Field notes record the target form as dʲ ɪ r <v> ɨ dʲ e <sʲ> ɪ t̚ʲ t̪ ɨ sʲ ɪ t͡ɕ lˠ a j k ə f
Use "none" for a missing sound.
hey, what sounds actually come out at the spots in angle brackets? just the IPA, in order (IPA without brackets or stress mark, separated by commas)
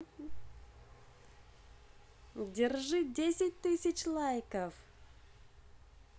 ʐ, sʲ